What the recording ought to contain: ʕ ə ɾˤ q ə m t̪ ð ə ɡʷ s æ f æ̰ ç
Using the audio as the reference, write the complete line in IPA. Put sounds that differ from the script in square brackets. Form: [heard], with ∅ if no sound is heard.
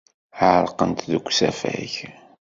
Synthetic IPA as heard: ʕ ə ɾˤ q ə [n] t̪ ð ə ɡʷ s æ f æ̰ ç